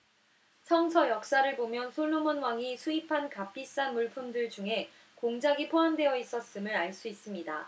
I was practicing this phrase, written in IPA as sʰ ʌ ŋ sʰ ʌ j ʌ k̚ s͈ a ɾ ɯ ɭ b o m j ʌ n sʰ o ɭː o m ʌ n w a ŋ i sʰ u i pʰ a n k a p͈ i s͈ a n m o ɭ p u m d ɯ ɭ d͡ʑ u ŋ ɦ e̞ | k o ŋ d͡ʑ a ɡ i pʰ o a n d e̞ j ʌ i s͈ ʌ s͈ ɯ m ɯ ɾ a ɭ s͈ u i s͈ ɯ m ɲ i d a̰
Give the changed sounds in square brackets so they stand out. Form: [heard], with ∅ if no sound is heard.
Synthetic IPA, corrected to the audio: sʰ ʌ ŋ sʰ ʌ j ʌ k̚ s͈ a ɾ ɯ ɭ b o m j ʌ n sʰ o ɭː o m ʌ n w a ŋ i sʰ u i pʰ a n k a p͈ i s͈ a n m [u] ɭ [pʰ] u m d ɯ ɭ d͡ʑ u ŋ ɦ e̞ | k o ŋ d͡ʑ a ɡ i pʰ o a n d e̞ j ʌ i s͈ ʌ s͈ ɯ m ɯ ɾ a ɭ s͈ u i s͈ ɯ m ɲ i d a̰